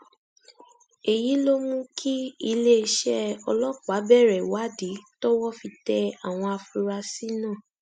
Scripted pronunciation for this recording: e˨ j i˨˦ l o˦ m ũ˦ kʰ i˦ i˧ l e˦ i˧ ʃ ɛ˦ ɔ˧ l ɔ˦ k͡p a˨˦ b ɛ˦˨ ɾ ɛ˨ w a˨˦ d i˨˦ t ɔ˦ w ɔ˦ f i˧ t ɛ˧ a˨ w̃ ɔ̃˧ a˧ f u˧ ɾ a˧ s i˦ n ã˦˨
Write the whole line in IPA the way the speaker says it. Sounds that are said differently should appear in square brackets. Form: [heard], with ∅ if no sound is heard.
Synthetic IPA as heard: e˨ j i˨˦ l o˦ m ũ˦ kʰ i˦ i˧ l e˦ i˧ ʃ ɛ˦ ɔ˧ l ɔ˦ k͡p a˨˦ b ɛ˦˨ ɾ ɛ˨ w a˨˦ d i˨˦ t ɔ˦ w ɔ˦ f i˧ t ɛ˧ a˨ w̃ ɔ̃˧ a˧ f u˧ ɾ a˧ s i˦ n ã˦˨